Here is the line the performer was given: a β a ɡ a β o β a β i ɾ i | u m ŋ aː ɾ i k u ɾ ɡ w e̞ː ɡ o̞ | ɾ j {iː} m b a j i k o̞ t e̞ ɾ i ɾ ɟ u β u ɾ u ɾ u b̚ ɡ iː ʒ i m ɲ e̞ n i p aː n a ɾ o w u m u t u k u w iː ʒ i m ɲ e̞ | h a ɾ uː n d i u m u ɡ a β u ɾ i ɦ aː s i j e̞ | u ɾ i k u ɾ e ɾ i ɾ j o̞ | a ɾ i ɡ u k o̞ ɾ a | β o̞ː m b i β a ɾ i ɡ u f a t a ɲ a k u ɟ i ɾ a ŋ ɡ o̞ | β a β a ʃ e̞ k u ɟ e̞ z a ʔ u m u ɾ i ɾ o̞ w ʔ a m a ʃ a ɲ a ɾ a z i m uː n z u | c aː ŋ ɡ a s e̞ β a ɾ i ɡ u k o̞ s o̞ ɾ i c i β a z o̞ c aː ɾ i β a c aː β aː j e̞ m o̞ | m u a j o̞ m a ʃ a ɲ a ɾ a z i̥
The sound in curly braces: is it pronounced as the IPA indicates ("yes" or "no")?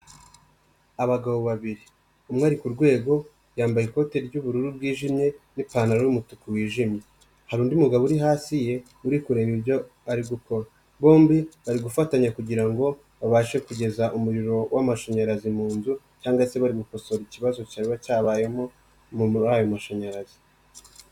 no